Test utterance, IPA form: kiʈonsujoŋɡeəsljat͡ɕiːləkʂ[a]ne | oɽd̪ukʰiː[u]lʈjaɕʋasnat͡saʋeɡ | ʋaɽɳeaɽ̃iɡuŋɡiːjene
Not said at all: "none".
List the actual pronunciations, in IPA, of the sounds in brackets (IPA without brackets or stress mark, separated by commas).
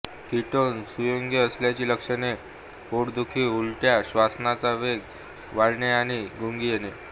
ə, u